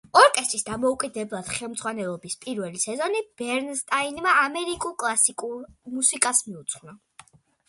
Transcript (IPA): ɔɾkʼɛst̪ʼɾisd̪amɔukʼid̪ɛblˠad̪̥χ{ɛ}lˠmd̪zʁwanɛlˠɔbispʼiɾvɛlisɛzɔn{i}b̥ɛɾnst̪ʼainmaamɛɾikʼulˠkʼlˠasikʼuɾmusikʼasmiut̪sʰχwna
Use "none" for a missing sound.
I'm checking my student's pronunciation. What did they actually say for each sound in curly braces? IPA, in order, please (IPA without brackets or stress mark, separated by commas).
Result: ɛ, i